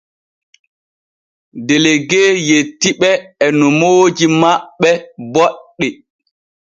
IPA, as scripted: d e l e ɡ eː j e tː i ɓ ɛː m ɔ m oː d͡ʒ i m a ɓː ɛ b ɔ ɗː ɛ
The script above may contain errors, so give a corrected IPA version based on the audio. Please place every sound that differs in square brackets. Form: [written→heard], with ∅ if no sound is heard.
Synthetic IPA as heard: d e l e ɡ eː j e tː i ɓ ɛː [m→n] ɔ m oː d͡ʒ i m a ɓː ɛ b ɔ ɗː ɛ

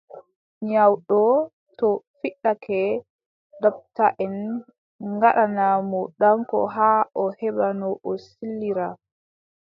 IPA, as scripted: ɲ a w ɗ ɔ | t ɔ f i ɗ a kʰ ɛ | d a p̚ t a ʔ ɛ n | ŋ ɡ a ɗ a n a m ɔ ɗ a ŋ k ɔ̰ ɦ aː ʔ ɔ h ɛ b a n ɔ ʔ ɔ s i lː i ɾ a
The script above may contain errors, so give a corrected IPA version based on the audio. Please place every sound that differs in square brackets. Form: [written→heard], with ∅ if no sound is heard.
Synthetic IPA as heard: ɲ a w ɗ ɔ | t ɔ f i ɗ a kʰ ɛ | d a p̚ t a ʔ ɛ n | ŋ ɡ a ɗ a n a m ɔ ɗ a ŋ k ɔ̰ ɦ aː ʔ ɔ h ɛ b a n ɔ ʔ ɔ s i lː i ɾ a

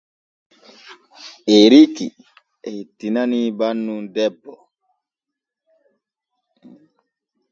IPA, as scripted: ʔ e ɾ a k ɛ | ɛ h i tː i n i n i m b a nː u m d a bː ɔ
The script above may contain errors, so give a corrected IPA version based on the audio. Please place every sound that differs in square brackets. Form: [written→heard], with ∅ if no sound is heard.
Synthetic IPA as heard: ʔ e ɾ [a→i] k [ɛ→i] | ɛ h i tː i n [i→a] n i [m→∅] b a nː u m d [a→ɛ] bː ɔ

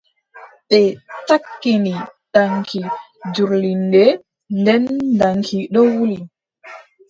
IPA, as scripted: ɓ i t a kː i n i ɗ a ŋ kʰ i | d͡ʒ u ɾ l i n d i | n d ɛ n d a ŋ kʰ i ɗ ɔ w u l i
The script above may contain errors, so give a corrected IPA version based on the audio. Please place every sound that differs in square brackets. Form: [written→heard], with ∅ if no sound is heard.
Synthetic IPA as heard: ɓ [i→ɛ] t a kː i n i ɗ a ŋ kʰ i | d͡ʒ u ɾ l i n d [i→ɛ] | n d ɛ n d a ŋ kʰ i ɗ ɔ w u l i

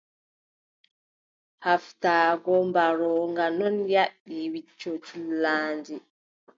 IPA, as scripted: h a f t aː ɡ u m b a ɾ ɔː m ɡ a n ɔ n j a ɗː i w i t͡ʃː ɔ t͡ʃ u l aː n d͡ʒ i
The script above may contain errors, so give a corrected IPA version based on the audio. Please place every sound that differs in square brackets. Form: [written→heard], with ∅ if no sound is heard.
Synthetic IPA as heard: h a f t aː ɡ [u→ɔ] m b a ɾ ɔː [m→ŋ] ɡ a n ɔ n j a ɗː i w i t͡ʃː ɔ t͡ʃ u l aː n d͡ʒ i

